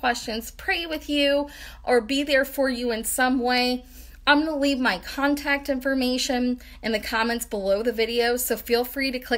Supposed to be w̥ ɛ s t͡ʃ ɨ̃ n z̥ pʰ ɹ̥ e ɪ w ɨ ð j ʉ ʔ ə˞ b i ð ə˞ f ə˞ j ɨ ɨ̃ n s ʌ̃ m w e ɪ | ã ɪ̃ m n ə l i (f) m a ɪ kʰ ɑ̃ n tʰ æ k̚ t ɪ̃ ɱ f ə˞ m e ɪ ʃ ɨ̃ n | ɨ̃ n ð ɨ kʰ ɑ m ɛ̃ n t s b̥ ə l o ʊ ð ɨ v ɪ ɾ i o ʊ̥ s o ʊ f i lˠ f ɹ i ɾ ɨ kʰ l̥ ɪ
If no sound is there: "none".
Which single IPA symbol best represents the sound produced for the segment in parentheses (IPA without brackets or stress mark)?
v